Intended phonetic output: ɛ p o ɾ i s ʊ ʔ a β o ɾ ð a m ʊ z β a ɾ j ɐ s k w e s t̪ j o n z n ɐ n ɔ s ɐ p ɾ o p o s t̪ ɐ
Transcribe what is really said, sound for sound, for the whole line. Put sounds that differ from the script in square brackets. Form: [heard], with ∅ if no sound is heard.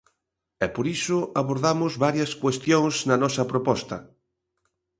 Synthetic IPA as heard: ɛ p o ɾ i s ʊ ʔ a β o ɾ ð a m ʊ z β a ɾ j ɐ s k w e s t̪ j o [ŋ] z n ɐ n ɔ s ɐ p ɾ o p [ɔ] s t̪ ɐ